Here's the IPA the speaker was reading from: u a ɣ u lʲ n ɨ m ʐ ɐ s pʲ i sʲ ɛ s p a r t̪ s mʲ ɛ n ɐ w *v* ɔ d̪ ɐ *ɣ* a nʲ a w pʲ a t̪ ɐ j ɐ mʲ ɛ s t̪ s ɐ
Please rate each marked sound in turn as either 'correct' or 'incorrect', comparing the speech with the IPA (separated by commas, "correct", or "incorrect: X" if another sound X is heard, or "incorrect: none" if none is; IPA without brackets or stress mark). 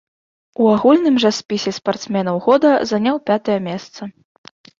incorrect: ɣ, incorrect: z